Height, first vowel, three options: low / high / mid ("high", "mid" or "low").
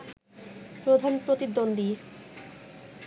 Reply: mid